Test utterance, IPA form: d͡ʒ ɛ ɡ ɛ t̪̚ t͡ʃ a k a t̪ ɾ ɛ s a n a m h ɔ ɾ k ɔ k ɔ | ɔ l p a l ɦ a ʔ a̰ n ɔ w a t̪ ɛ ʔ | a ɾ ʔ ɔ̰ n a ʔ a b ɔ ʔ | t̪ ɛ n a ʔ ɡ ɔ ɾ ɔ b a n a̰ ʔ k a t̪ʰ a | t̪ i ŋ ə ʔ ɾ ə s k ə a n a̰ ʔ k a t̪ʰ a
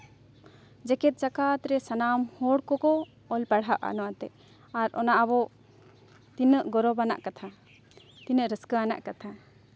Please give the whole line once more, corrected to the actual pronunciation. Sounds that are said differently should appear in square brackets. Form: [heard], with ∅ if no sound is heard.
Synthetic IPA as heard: d͡ʒ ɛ [k] ɛ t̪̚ t͡ʃ a k a t̪ ɾ ɛ s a n a m h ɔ [ɽ] k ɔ k ɔ | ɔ l p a [ɽ] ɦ a ʔ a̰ n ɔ w a t̪ ɛ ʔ | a ɾ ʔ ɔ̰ n a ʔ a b ɔ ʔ | t̪ [i] n [ə] ʔ ɡ ɔ ɾ ɔ b a n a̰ ʔ k a t̪ʰ a | t̪ i [n] ə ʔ ɾ ə s k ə a n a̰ ʔ k a t̪ʰ a